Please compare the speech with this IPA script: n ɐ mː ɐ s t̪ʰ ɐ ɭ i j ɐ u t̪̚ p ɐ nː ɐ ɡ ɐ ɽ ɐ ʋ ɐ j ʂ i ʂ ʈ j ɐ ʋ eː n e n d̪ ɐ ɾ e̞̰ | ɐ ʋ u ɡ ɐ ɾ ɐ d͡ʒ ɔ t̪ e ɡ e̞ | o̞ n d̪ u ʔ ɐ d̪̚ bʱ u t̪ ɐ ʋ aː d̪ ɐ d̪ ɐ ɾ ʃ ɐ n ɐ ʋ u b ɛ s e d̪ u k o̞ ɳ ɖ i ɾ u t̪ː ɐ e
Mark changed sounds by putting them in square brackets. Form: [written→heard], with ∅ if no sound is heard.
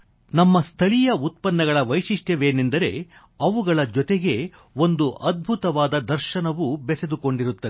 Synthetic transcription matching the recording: n ɐ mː ɐ s t̪ʰ ɐ ɭ i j ɐ u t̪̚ p ɐ nː ɐ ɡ ɐ [ɽ→ɭ] ɐ ʋ ɐ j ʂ i ʂ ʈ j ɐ ʋ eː n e n d̪ ɐ ɾ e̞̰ | ɐ ʋ u ɡ ɐ [ɾ→ɭ] ɐ d͡ʒ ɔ t̪ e ɡ e̞ | o̞ n d̪ u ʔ ɐ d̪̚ bʱ u t̪ ɐ ʋ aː d̪ ɐ d̪ ɐ ɾ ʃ ɐ n ɐ ʋ u b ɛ s e d̪ u k o̞ ɳ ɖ i ɾ u t̪ː ɐ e

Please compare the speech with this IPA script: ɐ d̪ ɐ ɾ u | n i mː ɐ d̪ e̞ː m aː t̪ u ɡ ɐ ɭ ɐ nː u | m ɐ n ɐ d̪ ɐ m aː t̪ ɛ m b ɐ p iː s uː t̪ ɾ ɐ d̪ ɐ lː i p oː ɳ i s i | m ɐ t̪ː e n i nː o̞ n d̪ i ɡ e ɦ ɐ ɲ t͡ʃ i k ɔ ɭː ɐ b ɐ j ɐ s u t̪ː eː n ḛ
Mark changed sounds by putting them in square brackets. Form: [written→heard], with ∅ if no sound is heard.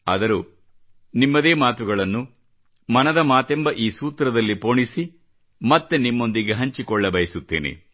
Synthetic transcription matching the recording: ɐ d̪ ɐ ɾ u | n i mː ɐ d̪ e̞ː m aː t̪ u ɡ ɐ ɭ ɐ nː u | m ɐ n ɐ d̪ ɐ m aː t̪ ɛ m b ɐ [p→ʔ] iː s uː t̪ ɾ ɐ d̪ ɐ lː i p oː ɳ i s i | m ɐ t̪ː e n i [nː→mː] o̞ n d̪ i ɡ e ɦ ɐ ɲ t͡ʃ i k ɔ ɭː ɐ b ɐ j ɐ s u t̪ː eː n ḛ

